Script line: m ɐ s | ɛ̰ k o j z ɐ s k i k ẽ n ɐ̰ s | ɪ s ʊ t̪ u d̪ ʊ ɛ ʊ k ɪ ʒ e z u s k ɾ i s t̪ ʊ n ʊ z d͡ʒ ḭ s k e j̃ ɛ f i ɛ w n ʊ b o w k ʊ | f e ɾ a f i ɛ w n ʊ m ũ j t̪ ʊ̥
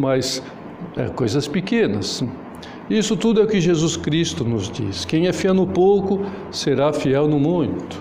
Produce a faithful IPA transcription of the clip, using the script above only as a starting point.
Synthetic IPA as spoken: m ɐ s | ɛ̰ k o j z ɐ s p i k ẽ n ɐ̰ s | i s ʊ t̪ u d̪ ʊ ɛ ʊ k ɪ ʒ e z u s k ɾ i s t̪ ʊ n ʊ z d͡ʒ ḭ s k ẽ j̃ ɛ f i ɛ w n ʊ p o w k ʊ | s e ɾ a f i ɛ w n ʊ m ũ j t̪ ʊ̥